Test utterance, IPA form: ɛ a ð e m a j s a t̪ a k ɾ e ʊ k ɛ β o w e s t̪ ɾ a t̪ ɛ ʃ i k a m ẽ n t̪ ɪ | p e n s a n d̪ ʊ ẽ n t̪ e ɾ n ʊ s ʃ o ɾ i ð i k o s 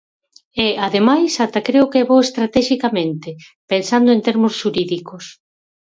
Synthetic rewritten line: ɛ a ð e m a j s a t̪ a k ɾ e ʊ k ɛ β o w e s t̪ ɾ a t̪ ɛ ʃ i k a m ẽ n t̪ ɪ | p e n s a n d̪ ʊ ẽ n t̪ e ɾ m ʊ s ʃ u ɾ i ð i k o s